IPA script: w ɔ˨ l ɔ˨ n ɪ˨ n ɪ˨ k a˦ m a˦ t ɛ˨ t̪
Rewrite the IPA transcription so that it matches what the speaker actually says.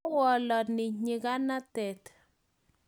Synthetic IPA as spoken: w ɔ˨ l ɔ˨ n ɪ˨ ɲ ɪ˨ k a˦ n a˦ t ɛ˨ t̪

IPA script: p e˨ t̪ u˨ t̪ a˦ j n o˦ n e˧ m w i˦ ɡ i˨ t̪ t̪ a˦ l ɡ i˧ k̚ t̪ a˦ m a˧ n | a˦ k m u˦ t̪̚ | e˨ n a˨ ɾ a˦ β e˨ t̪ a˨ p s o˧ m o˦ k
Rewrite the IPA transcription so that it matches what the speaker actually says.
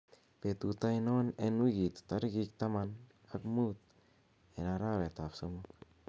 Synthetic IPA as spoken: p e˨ t̪ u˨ t̪ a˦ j n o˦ n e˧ n w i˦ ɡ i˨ t̪ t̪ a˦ ɾ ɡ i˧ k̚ t̪ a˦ m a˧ n | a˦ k m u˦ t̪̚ | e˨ n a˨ ɾ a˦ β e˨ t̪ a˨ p s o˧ m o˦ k

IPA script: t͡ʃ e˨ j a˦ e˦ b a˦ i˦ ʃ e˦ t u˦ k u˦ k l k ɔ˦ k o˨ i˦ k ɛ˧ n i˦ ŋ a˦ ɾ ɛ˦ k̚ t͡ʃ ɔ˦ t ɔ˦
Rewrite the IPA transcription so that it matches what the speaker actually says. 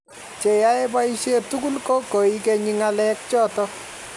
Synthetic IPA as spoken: t͡ʃ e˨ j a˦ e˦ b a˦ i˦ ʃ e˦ t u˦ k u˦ l k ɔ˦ k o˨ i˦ k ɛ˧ ɲ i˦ ŋ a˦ l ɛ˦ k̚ t͡ʃ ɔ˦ t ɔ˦

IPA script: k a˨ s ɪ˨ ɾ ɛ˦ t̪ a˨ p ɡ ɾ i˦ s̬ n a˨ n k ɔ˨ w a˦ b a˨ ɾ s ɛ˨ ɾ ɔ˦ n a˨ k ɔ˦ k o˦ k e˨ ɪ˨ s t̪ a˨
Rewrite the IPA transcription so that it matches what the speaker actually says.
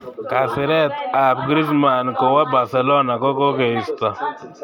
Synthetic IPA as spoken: k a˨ s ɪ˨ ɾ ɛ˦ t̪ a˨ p ɡ ɾ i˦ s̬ m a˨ n k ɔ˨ w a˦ b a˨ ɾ s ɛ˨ l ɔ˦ n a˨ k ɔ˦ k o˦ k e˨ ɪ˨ s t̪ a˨

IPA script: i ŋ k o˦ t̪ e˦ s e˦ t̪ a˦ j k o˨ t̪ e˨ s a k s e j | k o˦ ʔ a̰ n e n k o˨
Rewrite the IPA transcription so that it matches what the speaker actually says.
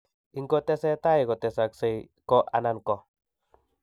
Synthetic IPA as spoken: i ŋ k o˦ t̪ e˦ s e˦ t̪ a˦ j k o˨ t̪ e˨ s a k s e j | k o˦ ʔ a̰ n a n k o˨

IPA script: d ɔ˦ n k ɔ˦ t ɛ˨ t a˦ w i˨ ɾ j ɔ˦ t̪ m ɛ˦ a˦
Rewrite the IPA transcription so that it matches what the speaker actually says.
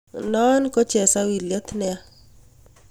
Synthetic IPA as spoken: n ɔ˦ n k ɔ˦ t͡ʃ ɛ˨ s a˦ w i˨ l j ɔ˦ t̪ n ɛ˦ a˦

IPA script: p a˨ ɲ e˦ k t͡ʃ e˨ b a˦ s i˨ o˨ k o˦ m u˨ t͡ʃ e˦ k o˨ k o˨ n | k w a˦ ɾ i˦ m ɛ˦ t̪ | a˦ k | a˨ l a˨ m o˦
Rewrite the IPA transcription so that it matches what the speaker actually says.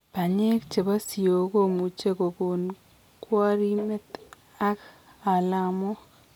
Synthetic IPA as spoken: p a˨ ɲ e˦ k t͡ʃ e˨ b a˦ s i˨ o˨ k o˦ m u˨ t͡ʃ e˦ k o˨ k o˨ n | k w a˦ ɾ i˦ m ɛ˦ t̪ | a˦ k | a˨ l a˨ m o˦

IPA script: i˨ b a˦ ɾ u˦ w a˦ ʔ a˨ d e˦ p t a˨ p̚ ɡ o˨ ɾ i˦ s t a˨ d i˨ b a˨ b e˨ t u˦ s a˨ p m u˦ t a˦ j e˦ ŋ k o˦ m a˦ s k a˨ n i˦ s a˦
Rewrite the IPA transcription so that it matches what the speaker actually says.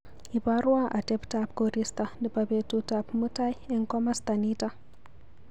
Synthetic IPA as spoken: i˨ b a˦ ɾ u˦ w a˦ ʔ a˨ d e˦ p t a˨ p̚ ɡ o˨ ɾ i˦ s t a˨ d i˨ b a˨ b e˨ t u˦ t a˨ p m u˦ t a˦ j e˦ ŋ k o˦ m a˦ s t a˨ n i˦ t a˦

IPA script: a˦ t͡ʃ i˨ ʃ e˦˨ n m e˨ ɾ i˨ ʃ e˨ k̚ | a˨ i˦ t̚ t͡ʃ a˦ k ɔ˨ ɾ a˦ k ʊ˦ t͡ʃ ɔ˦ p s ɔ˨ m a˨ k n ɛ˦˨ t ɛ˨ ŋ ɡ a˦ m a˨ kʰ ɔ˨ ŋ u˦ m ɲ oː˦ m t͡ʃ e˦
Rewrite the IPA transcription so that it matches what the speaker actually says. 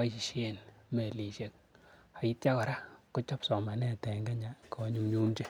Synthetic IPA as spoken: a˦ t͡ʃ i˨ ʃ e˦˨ n m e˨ l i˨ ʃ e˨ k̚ | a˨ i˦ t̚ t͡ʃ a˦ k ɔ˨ ɾ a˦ k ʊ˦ t͡ʃ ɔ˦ p s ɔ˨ m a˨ n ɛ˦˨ t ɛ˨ ŋ ɡ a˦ ɲ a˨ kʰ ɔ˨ ɲ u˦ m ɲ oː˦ m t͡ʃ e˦

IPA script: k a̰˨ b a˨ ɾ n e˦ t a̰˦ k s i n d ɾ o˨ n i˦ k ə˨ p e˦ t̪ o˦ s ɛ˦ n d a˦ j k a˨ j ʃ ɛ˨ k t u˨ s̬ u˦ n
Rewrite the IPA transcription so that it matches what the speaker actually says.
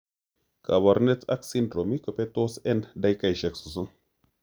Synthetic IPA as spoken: k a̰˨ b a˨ ɾ n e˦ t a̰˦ k s i n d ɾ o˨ m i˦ k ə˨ p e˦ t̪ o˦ s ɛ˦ n d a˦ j k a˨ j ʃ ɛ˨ k s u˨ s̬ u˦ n

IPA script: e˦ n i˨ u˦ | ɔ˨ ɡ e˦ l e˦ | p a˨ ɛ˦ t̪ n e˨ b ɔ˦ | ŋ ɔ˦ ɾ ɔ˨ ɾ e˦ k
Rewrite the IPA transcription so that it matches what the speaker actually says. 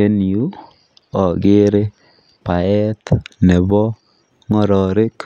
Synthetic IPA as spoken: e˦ n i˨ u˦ | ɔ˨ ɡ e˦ ɾ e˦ | p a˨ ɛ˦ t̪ n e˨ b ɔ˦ | ŋ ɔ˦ ɾ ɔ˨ ɾ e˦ k

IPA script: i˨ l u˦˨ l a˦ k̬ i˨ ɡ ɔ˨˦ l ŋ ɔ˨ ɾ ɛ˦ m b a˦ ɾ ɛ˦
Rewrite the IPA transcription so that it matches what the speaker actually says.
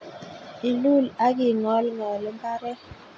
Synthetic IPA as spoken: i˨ l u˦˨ l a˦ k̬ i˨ ŋ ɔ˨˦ l ŋ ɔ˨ l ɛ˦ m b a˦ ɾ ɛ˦

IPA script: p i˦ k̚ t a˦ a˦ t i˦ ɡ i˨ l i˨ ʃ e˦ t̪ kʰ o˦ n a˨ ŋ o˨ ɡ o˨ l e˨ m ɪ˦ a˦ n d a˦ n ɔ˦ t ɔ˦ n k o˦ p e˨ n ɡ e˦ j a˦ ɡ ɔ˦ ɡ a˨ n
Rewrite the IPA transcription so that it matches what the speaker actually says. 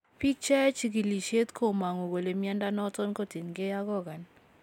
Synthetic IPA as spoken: p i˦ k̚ t͡ʃ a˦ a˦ t͡ʃ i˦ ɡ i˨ l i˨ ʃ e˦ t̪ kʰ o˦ m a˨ ŋ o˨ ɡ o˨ l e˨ m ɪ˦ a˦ n d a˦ n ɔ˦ t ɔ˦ n k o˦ t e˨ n ɡ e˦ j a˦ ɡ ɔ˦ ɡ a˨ n

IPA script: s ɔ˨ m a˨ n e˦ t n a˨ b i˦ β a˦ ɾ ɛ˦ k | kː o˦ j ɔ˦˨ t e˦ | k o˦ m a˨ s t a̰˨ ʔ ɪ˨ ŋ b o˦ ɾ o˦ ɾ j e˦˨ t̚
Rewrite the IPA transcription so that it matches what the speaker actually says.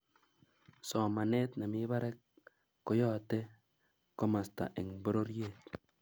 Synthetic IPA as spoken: s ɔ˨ m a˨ n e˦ t n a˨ m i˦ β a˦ ɾ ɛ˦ k | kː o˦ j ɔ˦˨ t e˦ | k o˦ m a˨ s t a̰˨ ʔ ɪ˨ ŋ b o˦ ɾ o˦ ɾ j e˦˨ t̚

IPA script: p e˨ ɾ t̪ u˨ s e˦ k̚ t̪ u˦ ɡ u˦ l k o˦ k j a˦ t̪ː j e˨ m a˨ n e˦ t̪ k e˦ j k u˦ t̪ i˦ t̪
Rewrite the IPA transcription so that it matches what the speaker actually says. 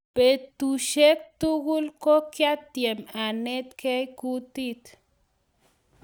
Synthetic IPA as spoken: p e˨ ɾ t̪ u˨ ʃ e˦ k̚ t̪ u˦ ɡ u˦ l k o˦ k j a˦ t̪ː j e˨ m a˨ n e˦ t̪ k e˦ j k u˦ t̪ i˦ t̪

